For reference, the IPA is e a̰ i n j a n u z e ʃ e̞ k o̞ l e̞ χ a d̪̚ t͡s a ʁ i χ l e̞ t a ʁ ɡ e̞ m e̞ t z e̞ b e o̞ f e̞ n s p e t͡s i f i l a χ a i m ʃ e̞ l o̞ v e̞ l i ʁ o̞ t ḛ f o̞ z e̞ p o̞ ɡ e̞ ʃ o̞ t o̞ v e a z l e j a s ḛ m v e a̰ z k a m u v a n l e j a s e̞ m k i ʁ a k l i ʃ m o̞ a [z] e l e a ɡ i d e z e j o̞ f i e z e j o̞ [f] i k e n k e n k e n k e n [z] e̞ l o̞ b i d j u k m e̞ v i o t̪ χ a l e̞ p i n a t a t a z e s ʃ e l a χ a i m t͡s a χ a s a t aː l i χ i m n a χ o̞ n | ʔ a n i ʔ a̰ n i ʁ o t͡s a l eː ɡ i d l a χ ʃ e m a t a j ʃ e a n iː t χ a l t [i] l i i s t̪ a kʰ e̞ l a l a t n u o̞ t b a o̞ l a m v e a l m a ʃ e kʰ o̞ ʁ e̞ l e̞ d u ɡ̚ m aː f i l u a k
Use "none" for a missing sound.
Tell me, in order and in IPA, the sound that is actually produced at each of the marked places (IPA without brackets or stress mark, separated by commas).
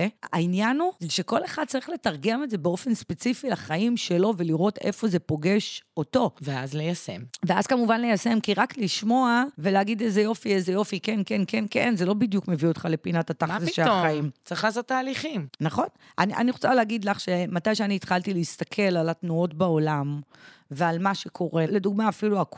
v, f, z, i